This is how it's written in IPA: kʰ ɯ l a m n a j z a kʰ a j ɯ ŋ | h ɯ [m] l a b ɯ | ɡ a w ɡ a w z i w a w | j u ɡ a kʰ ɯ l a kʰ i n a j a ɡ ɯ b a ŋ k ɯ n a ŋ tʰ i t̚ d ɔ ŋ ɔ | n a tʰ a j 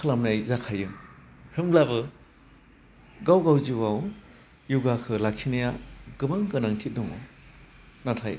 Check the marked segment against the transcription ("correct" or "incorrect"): correct